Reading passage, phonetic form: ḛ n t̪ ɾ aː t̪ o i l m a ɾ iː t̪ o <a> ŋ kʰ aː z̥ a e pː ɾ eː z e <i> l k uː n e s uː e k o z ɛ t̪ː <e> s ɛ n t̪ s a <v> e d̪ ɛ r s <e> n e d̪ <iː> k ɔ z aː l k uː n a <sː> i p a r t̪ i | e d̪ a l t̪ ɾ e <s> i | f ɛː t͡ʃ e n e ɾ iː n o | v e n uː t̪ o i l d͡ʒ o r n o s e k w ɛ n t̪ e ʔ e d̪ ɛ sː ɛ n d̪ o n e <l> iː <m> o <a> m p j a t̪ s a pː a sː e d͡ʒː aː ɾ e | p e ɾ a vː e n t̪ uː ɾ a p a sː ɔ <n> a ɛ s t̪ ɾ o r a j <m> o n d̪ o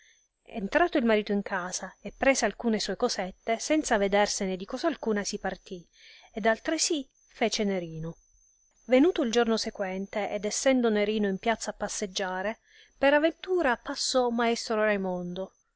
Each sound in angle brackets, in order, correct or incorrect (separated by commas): incorrect, incorrect, correct, correct, correct, incorrect, incorrect, correct, incorrect, incorrect, incorrect, incorrect, correct